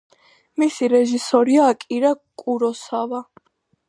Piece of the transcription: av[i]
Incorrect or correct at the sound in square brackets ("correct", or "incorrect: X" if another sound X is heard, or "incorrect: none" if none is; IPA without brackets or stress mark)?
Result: incorrect: a